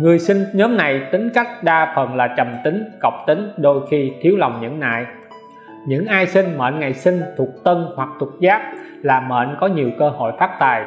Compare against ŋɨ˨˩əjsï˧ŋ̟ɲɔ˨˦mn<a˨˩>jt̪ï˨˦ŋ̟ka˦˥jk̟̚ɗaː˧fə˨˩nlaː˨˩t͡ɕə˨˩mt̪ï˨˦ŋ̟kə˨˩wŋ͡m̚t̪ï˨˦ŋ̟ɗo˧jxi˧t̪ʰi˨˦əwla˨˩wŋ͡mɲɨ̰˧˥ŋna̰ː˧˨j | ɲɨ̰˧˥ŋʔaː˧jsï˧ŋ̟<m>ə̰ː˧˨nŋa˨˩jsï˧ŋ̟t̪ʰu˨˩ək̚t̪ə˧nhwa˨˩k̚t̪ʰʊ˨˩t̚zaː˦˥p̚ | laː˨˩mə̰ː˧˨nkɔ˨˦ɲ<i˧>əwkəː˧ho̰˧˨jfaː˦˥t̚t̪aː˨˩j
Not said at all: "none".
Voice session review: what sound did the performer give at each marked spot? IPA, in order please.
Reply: a˨˩, m, i˨˩

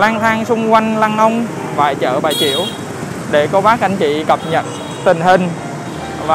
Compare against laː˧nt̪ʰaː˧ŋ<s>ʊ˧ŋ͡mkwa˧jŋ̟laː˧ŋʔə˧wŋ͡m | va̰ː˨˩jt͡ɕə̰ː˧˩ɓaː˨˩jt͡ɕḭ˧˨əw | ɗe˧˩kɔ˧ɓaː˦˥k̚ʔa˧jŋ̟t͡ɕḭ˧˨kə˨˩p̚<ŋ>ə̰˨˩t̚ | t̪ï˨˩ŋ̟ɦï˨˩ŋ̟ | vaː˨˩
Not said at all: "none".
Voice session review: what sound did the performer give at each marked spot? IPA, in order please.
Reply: s, ɲ

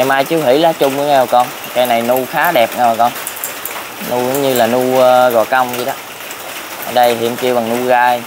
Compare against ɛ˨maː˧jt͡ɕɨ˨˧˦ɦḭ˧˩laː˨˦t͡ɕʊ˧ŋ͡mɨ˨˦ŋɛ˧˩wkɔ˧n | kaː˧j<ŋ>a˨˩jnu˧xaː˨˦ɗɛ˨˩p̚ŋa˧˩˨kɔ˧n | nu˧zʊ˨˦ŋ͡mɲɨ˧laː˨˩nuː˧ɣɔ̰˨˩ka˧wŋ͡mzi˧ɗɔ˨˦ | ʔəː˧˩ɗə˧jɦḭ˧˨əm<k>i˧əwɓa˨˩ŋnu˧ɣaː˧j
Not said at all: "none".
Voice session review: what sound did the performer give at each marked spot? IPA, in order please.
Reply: n, k

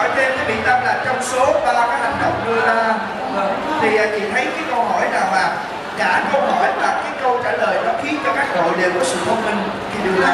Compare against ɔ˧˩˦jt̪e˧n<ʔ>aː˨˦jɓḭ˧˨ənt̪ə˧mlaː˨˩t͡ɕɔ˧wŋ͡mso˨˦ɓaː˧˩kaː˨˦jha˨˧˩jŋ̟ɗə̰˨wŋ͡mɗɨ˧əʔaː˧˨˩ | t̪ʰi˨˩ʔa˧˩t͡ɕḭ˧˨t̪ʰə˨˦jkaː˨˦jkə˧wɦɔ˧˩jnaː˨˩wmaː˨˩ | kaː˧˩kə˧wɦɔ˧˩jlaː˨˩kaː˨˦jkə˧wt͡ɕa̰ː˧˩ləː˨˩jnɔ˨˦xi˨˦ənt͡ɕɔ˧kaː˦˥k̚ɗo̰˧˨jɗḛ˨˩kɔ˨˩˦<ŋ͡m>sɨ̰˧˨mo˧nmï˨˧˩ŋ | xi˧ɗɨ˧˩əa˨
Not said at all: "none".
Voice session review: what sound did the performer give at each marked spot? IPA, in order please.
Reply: k, none

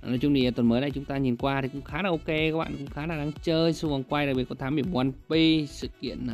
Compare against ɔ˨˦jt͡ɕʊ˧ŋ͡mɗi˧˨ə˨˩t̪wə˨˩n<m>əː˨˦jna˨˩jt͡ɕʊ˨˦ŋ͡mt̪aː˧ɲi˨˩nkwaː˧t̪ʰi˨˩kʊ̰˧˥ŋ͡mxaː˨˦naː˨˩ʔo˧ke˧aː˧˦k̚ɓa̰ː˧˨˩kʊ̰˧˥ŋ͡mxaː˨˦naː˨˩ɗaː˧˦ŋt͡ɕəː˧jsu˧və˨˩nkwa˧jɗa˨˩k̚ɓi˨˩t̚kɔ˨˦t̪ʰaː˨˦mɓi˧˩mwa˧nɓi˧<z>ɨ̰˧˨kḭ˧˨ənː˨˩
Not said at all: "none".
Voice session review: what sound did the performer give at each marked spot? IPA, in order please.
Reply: m, s

